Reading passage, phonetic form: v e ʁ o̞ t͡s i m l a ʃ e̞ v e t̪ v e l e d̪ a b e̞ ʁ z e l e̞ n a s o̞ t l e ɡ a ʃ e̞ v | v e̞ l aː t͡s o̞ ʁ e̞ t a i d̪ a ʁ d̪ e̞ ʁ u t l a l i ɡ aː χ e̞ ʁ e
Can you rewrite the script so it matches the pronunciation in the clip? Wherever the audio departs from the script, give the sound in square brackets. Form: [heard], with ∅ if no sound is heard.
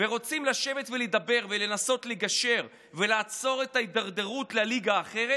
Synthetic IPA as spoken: v e ʁ o̞ t͡s i m l a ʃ e̞ v e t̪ v e l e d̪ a b e̞ ʁ [v] e l e̞ n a s o̞ t l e ɡ a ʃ e̞ [ʁ] | v e̞ l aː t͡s o̞ ʁ e̞ t a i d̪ a ʁ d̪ e̞ ʁ u t l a l i ɡ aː χ e̞ ʁ e